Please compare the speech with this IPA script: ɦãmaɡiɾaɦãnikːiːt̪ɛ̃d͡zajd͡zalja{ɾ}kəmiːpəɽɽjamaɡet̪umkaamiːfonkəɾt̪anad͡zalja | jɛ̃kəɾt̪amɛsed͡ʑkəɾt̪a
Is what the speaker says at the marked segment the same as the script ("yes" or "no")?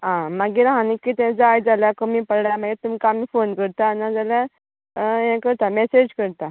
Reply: no